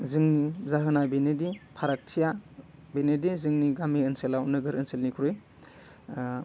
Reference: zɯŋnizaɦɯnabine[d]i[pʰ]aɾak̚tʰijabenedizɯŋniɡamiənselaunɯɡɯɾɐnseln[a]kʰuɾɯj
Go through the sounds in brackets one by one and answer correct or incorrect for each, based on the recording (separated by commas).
correct, correct, incorrect